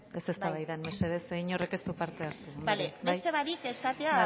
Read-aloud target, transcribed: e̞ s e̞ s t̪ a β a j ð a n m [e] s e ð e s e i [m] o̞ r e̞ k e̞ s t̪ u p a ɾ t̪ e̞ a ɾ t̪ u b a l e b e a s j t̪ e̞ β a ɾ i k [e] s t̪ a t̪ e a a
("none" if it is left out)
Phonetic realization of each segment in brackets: e, ɲ, e

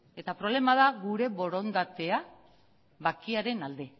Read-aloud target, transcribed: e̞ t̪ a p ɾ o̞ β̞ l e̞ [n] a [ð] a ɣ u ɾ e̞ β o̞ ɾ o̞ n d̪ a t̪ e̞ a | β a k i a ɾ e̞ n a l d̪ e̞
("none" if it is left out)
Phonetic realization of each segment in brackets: m, ð

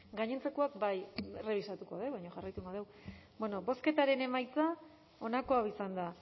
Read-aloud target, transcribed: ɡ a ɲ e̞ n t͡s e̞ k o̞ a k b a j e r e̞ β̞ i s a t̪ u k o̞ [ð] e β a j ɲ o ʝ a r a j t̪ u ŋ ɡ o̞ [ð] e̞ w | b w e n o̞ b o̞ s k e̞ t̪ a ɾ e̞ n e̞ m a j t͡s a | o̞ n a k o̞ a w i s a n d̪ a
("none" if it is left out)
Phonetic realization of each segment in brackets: ð, ð

